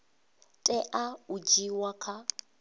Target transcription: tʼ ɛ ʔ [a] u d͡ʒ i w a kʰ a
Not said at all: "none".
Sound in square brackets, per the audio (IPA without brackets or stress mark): a